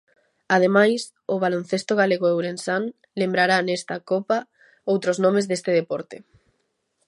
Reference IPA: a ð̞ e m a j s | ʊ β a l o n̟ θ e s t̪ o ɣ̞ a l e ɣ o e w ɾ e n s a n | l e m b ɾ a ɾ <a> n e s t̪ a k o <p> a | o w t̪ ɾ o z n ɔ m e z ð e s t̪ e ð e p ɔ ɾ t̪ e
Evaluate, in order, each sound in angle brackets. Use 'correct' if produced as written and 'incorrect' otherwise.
correct, correct

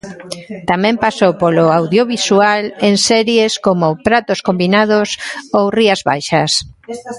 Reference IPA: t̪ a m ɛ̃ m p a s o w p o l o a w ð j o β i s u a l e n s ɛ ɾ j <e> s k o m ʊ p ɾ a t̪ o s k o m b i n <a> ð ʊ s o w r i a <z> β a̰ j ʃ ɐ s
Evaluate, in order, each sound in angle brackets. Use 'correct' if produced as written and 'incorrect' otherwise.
correct, correct, correct

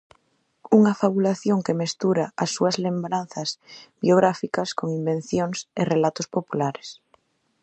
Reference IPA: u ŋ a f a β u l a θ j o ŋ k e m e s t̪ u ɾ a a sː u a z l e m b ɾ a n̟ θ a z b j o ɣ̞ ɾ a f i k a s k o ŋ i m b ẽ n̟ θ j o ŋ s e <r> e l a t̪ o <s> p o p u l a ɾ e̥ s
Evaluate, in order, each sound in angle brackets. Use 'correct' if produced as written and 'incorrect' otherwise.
correct, correct

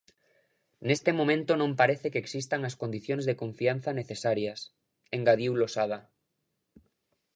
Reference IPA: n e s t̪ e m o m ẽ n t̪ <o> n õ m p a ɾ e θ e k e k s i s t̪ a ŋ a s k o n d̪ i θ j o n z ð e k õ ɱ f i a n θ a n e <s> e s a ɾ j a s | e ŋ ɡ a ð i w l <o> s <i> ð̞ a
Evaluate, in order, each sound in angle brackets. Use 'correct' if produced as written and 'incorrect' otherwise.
correct, incorrect, correct, incorrect

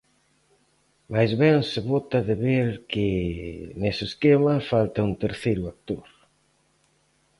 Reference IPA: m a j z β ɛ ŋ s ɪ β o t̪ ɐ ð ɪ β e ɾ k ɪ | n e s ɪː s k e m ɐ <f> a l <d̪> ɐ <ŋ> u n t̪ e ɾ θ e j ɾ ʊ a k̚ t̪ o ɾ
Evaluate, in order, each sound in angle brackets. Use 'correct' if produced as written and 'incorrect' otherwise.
correct, incorrect, incorrect

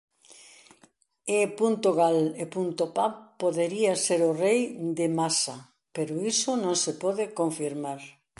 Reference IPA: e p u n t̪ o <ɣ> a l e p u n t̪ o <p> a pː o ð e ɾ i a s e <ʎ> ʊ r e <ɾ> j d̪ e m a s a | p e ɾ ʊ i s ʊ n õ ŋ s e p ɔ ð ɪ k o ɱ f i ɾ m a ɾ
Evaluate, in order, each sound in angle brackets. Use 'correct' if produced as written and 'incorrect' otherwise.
correct, correct, incorrect, incorrect

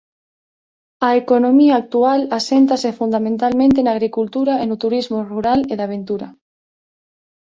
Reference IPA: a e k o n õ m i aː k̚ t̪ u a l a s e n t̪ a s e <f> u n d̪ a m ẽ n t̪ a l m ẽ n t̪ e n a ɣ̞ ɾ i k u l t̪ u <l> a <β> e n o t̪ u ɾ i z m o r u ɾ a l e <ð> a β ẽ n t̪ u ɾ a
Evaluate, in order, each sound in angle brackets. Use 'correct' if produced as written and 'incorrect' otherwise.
correct, incorrect, incorrect, correct

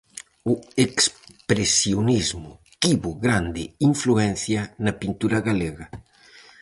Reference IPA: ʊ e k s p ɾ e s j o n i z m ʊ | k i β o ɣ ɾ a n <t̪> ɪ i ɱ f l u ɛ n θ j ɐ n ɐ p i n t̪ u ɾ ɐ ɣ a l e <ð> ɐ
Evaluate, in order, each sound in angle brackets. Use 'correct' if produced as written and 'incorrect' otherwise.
incorrect, incorrect

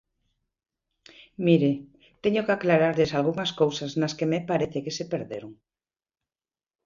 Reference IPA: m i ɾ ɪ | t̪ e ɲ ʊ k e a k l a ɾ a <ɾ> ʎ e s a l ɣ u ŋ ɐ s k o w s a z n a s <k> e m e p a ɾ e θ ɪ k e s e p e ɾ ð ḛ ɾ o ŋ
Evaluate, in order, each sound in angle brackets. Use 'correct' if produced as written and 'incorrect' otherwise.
correct, correct

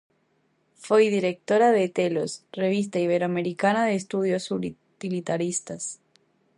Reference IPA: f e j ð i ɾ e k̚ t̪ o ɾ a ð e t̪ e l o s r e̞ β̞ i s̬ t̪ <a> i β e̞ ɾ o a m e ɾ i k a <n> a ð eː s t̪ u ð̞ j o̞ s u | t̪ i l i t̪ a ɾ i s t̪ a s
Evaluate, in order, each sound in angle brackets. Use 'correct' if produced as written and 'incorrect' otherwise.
correct, correct

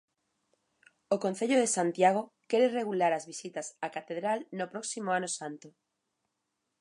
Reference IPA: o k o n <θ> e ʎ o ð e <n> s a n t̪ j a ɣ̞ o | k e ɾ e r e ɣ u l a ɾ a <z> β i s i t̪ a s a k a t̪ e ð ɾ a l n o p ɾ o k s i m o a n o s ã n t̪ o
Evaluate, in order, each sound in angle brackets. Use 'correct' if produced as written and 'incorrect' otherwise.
correct, incorrect, correct

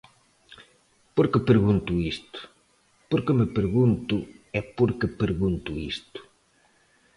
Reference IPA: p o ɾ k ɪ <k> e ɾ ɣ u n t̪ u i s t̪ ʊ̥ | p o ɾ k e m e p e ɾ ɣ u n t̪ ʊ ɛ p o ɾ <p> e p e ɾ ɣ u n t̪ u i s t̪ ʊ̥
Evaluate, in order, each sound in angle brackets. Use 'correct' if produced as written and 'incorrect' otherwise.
incorrect, incorrect

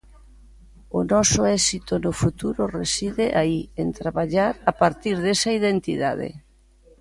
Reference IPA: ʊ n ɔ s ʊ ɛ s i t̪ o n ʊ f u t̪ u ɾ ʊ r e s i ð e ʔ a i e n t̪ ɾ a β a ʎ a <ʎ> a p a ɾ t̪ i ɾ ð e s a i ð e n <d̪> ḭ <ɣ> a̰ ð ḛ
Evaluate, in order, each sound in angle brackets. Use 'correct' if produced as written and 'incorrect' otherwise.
incorrect, incorrect, incorrect

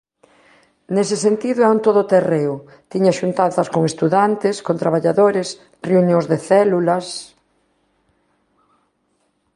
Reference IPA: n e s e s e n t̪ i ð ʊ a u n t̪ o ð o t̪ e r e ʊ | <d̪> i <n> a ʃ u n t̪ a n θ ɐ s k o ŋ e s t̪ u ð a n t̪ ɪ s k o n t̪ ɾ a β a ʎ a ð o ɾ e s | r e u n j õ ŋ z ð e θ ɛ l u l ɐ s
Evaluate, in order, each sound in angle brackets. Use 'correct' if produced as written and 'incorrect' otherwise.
incorrect, incorrect

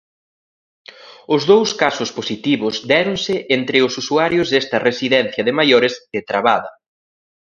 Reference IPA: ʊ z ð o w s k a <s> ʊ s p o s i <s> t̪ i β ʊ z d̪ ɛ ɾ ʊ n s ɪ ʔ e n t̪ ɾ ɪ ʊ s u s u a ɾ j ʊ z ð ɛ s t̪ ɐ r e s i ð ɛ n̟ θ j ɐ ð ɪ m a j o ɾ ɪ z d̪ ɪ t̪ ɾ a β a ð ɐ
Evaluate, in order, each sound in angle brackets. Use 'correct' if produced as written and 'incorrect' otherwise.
correct, incorrect

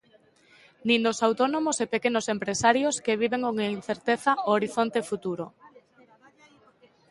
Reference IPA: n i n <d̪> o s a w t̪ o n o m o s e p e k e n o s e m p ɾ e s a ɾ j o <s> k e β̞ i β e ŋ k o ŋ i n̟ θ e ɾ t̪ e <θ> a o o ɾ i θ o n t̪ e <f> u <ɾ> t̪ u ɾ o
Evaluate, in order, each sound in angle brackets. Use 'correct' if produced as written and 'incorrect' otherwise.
correct, correct, correct, correct, incorrect

